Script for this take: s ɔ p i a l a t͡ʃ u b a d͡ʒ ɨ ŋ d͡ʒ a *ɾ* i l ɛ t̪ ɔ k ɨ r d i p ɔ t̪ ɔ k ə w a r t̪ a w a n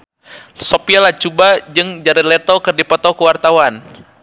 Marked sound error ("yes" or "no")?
no